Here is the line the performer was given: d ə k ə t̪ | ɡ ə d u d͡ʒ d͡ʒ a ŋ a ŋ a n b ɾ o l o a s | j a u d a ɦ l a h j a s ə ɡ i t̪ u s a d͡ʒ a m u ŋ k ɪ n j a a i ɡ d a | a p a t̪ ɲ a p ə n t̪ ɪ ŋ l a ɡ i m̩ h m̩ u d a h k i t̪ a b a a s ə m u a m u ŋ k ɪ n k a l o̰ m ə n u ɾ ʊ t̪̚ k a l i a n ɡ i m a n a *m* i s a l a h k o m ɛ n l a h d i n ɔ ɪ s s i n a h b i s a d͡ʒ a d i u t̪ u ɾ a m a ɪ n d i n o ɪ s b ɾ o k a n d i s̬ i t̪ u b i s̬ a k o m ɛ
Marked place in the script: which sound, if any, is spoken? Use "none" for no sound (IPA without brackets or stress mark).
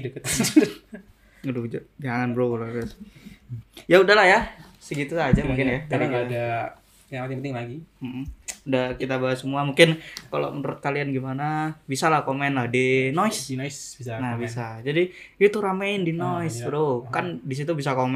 b